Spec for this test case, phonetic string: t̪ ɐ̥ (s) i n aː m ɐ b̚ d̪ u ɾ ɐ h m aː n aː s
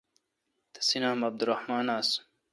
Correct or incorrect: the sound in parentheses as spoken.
correct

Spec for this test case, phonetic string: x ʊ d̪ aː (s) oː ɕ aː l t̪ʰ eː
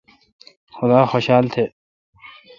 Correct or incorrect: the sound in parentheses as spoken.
incorrect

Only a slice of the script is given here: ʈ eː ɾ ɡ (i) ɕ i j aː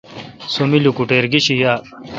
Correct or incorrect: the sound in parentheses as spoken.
correct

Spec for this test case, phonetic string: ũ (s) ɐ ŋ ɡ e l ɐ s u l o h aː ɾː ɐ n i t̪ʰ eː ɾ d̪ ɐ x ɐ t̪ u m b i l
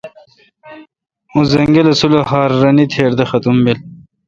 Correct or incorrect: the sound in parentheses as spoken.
incorrect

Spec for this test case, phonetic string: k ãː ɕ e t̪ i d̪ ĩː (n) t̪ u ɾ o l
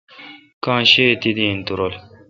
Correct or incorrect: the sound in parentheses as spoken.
correct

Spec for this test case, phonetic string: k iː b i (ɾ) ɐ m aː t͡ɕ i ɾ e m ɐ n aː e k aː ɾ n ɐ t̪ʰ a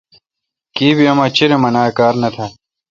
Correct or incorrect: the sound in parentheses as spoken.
incorrect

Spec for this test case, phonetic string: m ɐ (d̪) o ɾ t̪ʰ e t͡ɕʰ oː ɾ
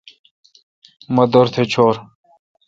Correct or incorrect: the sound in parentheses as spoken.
correct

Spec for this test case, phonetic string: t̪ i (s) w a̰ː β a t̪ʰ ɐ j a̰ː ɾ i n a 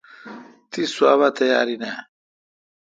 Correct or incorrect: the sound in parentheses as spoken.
correct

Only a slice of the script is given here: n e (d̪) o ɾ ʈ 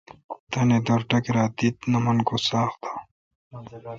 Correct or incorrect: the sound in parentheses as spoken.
correct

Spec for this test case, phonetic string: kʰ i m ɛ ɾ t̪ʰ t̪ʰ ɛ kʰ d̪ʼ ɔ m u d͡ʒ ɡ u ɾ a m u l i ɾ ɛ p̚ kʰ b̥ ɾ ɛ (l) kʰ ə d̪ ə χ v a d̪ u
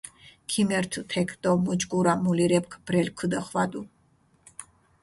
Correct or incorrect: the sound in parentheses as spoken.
correct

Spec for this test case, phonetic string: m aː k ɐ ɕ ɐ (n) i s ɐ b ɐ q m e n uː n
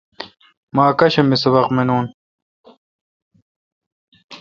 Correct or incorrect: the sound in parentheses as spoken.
incorrect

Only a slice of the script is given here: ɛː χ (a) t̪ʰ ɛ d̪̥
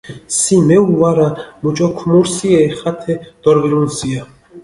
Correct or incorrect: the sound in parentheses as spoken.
correct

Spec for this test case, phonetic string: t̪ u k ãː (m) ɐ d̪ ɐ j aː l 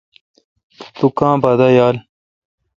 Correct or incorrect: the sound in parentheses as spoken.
incorrect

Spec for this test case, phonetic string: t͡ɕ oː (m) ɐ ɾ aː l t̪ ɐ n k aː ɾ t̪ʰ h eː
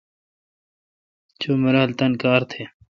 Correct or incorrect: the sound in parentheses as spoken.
correct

